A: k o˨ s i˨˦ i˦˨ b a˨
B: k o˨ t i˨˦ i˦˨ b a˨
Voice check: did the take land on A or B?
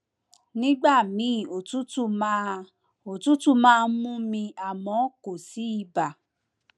A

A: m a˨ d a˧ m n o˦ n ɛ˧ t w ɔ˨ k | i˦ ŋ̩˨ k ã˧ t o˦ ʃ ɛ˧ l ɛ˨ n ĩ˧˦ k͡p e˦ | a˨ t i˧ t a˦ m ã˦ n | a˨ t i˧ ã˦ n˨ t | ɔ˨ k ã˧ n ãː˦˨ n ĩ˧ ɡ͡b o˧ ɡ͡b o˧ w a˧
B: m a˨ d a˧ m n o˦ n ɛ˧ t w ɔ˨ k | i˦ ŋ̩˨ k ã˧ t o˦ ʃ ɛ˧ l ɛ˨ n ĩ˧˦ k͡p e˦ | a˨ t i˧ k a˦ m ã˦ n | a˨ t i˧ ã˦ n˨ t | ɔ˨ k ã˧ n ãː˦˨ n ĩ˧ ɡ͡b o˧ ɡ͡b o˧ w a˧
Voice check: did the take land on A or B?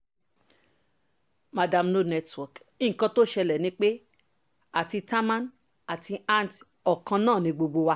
A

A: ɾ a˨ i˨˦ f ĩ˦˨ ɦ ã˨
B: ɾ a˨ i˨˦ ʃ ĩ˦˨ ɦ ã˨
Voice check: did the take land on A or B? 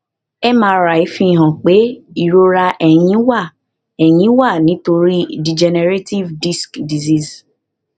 A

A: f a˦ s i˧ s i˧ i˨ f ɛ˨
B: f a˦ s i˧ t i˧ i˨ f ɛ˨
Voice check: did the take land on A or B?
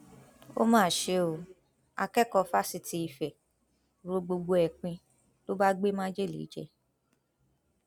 B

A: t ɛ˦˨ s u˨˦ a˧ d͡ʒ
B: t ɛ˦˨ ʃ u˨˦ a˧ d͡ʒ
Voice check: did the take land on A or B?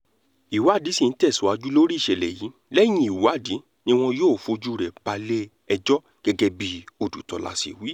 A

